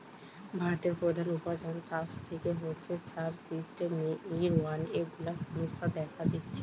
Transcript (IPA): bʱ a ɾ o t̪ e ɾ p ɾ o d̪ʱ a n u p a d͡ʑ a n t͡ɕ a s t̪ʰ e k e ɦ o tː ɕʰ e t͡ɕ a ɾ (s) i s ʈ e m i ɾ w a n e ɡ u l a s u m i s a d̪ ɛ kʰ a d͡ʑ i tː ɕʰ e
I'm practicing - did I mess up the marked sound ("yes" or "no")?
no